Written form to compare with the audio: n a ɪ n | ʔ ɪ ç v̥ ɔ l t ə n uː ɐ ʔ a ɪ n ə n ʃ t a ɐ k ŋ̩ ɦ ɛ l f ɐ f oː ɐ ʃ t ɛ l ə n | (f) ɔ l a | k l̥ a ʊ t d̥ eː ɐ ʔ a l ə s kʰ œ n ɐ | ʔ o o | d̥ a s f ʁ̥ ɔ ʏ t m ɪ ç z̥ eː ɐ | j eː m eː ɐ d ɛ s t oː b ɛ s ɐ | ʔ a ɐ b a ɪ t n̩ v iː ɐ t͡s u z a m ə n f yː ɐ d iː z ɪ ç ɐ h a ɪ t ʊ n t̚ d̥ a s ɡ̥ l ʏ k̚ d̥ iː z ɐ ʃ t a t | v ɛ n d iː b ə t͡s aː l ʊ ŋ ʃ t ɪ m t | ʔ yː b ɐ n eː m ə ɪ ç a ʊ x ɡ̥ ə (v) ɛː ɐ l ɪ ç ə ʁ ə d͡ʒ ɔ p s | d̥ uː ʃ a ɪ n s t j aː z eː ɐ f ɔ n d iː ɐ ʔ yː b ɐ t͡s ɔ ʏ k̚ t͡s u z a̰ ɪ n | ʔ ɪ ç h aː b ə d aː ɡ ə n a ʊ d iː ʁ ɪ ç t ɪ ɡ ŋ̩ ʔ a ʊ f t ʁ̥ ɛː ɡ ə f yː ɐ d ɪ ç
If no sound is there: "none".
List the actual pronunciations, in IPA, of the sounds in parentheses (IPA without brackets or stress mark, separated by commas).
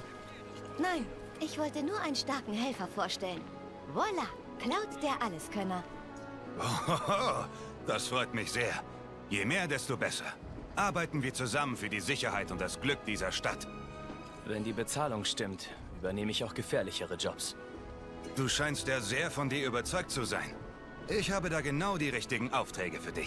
v, f